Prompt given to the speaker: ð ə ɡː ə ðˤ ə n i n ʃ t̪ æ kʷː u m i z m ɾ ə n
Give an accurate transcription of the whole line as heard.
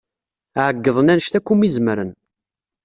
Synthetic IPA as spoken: ʕ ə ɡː ə ðˤ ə n æ n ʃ t̪ æ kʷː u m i z m ɾ ə n